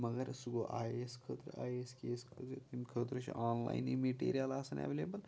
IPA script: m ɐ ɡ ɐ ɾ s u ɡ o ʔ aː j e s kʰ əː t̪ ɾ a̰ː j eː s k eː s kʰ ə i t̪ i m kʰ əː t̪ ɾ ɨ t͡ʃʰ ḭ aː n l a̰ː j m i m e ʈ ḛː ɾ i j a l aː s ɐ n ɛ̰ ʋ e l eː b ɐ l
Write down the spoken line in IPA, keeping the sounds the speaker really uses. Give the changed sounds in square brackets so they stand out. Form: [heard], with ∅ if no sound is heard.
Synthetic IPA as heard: m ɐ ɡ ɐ ɾ s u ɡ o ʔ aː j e s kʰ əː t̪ ɾ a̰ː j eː s k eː s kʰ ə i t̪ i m kʰ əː t̪ ɾ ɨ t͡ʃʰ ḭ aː n l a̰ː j [n] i m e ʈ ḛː ɾ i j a l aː s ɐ n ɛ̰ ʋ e l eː b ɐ l

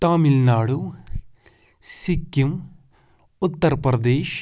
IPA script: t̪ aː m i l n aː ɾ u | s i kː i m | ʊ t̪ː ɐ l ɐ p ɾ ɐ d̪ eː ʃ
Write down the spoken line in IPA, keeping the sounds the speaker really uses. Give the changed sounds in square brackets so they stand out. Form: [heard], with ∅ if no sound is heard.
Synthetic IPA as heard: t̪ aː m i l n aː [ɽ] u | s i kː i m | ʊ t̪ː ɐ [ɾ] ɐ p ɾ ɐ d̪ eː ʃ

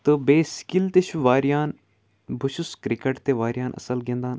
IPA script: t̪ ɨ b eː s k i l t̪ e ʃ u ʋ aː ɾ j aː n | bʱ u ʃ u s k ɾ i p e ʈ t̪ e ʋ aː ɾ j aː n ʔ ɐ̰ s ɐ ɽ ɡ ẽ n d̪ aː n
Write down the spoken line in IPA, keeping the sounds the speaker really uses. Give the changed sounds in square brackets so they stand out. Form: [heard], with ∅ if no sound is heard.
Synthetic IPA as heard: t̪ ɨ b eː s k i l t̪ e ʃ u ʋ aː ɾ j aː n | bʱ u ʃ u s k ɾ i [k] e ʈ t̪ e ʋ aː ɾ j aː n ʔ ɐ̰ s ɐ [l] ɡ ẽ n d̪ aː n

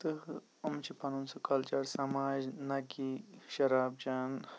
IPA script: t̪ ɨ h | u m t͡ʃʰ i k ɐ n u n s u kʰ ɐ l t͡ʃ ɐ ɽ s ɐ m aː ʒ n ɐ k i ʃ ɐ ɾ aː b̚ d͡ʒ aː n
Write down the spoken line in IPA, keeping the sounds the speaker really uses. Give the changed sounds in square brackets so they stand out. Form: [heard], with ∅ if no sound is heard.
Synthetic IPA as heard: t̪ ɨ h | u m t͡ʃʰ i [p] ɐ n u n s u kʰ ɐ l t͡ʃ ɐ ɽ s ɐ m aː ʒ n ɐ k i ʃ ɐ ɾ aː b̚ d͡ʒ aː n

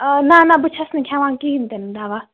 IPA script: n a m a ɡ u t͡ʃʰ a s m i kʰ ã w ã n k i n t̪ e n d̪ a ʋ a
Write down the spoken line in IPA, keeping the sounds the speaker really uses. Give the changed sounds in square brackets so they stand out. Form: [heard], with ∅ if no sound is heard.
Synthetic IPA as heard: n a [n] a [b] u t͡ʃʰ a s [n] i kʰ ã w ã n k i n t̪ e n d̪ a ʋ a

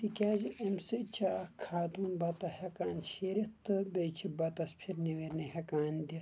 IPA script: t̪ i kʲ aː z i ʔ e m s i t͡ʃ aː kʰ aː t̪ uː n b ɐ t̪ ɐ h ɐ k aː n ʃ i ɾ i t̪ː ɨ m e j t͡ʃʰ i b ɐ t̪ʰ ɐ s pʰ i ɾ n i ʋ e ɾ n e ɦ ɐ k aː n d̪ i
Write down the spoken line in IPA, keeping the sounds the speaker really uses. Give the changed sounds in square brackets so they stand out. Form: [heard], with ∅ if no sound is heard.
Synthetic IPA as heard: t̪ i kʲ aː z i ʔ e m s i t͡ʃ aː kʰ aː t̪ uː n b ɐ t̪ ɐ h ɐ k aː n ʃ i ɾ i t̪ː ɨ [b] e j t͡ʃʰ i b ɐ [t̪] ɐ s pʰ i ɾ n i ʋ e ɾ n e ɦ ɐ k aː n d̪ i

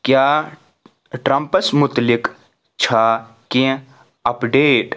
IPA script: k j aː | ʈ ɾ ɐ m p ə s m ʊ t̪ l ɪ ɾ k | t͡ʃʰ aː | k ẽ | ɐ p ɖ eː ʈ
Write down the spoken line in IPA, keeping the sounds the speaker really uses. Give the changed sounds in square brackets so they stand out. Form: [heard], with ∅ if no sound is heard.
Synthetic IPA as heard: k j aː | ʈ ɾ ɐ m p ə s m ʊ t̪ l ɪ [∅] k | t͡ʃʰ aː | k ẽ | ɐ p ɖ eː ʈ

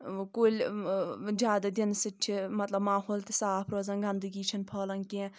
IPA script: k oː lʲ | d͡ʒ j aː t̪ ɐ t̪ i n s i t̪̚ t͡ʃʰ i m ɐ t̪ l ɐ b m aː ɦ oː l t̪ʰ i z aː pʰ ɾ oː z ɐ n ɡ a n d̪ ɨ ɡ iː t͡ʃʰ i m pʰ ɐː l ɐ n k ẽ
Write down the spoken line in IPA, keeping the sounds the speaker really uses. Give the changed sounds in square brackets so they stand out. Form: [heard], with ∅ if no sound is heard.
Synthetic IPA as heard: k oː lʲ | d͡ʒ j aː [d̪] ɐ [d̪] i n s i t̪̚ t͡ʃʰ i m ɐ t̪ l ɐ b m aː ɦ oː l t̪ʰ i [s] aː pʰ ɾ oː z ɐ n ɡ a n d̪ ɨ ɡ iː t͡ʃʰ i [n] pʰ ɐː l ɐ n k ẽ

